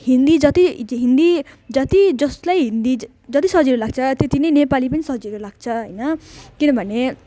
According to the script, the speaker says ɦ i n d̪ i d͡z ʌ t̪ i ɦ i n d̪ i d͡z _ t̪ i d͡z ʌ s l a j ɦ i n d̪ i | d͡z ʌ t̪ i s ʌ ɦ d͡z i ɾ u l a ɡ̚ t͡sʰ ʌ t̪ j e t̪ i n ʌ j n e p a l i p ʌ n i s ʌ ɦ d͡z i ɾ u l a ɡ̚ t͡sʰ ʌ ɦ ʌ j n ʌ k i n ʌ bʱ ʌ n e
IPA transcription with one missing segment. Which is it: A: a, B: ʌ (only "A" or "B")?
B